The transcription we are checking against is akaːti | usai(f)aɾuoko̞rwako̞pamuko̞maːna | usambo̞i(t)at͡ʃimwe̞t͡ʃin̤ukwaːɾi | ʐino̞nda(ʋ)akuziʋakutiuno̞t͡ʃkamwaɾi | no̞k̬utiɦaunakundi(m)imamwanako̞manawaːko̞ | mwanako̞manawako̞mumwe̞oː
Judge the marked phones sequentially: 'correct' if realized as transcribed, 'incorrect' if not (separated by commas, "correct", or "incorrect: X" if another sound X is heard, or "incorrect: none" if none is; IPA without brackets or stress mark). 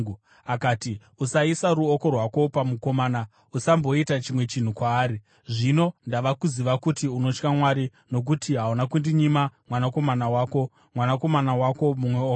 incorrect: s, correct, correct, incorrect: ɲ